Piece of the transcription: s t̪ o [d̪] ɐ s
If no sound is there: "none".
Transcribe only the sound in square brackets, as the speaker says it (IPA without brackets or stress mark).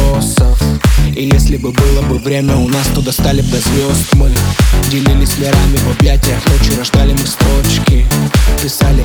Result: d̪